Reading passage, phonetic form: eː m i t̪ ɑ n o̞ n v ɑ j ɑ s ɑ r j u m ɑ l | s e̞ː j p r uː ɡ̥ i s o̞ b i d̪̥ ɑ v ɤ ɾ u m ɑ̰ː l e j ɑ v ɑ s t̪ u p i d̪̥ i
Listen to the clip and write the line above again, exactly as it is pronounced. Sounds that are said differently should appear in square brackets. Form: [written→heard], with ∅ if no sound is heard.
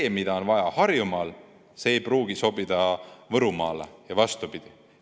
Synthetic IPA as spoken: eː m i [t̪→d̪] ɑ [n→∅] o̞ n v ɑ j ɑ [s→h] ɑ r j u m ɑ l | s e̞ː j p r uː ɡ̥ i s o̞ b i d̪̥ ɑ v ɤ ɾ u m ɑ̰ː l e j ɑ v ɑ s t̪ u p i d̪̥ i